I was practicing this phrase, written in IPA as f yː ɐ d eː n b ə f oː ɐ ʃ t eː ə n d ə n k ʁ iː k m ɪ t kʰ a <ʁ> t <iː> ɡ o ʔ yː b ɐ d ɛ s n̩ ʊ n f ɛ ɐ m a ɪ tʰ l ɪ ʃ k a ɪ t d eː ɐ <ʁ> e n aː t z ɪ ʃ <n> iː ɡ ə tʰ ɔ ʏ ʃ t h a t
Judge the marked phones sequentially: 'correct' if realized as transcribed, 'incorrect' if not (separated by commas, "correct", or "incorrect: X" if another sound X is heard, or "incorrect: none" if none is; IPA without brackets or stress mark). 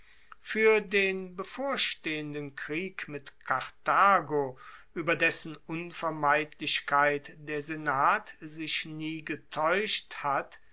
correct, incorrect: aː, incorrect: z, correct